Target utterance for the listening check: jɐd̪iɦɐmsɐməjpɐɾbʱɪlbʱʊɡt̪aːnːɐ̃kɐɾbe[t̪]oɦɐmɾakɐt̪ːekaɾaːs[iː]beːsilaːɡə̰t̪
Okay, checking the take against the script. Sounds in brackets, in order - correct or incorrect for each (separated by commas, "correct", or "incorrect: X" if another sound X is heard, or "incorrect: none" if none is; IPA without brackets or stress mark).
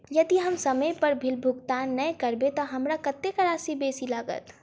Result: correct, incorrect: i